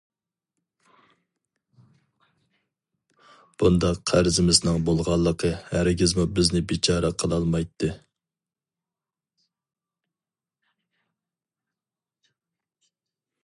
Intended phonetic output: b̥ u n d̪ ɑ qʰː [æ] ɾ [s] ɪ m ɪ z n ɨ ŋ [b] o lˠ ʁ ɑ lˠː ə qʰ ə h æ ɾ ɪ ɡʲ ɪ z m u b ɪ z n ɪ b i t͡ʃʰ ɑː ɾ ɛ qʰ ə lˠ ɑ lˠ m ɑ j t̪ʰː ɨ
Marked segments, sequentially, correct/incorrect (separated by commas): correct, incorrect, correct